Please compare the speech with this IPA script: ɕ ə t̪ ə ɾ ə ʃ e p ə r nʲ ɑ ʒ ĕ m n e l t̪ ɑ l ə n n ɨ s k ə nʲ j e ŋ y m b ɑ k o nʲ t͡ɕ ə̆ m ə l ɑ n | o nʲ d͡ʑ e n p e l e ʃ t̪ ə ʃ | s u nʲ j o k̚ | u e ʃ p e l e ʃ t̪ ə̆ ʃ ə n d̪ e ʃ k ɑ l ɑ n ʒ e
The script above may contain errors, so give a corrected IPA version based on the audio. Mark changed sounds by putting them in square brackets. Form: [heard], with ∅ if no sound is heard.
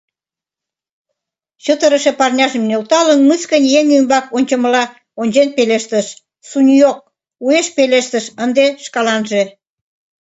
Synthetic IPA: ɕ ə t̪ ə ɾ ə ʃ e p [ɑ] r nʲ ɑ ʒ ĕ m n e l t̪ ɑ l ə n [m] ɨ s k ə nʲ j e ŋ y m b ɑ k o nʲ t͡ɕ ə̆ m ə l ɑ [∅] | o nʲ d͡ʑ e n p e l e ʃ t̪ ə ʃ | s u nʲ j o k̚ | u e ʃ p e l e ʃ t̪ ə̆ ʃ ə n d̪ e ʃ k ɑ l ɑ n ʒ e